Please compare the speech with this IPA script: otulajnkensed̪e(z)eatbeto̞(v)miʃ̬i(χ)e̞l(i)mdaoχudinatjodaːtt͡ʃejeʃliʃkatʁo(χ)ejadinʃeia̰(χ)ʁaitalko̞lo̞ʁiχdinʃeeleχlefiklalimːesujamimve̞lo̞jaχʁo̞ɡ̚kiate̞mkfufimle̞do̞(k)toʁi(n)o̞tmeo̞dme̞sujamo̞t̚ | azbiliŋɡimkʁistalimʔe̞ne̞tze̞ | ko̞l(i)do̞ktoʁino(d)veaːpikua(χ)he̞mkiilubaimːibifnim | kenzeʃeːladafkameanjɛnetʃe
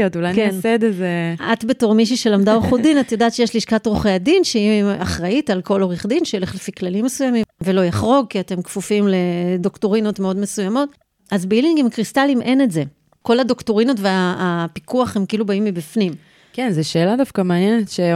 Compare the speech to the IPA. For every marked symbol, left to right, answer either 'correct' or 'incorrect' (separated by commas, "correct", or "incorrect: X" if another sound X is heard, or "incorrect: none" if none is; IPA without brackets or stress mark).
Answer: correct, incorrect: ʁ, incorrect: ʃ, incorrect: a, correct, correct, correct, correct, incorrect: a, incorrect: t, correct